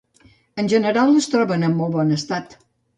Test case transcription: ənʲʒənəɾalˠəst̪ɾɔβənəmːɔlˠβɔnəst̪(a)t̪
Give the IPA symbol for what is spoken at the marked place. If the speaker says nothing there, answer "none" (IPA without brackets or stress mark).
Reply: a